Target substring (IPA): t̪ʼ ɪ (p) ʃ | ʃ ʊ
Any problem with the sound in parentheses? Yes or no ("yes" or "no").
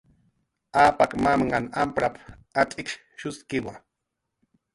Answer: yes